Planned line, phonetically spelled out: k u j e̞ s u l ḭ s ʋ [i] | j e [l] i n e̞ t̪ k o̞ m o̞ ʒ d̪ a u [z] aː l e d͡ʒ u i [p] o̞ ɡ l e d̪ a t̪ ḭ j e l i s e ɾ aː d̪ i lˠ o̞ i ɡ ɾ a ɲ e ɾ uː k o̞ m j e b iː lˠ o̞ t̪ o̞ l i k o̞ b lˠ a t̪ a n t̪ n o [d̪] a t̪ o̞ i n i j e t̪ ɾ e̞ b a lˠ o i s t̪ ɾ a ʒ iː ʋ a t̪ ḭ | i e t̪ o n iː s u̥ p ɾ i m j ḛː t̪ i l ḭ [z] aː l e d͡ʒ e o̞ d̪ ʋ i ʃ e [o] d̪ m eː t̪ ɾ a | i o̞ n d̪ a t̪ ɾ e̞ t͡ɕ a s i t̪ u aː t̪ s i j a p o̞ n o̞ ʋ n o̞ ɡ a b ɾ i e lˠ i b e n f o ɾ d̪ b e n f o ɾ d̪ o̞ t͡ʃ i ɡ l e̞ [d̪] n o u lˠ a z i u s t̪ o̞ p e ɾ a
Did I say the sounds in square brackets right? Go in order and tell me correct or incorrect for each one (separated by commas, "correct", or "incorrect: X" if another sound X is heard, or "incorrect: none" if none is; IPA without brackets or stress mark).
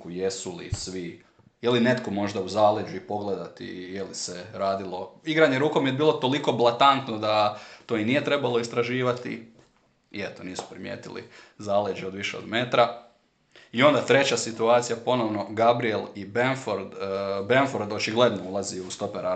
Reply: correct, correct, correct, correct, correct, correct, correct, correct